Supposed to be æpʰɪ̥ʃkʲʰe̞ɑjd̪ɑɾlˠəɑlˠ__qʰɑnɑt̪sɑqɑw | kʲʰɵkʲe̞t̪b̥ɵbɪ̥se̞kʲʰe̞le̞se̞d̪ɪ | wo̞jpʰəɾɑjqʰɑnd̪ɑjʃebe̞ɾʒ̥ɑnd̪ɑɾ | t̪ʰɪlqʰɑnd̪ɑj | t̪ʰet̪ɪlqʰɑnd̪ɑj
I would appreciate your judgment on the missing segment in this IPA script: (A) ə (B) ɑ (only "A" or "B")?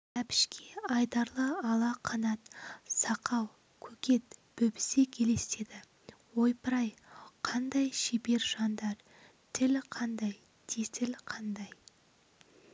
B